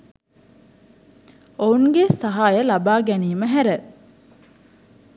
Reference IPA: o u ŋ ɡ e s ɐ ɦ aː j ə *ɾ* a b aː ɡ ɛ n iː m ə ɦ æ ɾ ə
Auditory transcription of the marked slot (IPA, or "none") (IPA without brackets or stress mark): l